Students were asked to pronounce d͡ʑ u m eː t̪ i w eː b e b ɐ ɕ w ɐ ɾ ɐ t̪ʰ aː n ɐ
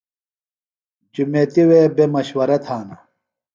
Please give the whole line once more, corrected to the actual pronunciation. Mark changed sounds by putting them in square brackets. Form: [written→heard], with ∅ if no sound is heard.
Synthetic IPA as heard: d͡ʑ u m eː t̪ i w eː b e [b→m] ɐ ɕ w ɐ ɾ ɐ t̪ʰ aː n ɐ